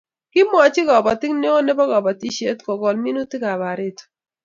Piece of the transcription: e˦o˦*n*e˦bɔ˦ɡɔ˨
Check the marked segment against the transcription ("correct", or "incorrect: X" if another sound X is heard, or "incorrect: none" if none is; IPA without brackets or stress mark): correct